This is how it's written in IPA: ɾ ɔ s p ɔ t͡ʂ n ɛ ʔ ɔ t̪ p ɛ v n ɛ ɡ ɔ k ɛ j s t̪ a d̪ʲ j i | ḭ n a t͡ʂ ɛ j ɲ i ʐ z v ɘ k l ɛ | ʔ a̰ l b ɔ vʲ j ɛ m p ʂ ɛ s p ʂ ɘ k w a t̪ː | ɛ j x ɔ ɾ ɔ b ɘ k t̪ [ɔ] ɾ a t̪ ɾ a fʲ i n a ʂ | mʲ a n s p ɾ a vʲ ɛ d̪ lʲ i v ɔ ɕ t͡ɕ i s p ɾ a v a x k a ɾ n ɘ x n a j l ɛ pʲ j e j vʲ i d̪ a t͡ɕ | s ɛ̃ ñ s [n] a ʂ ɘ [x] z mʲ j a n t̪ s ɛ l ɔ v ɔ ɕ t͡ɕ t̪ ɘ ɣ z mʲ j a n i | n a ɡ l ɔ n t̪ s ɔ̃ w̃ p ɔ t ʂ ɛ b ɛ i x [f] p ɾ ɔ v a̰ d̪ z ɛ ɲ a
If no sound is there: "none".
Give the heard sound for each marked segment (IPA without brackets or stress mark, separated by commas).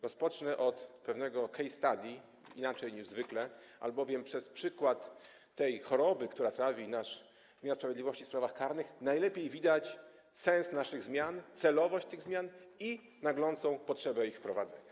u, n, ɣ, f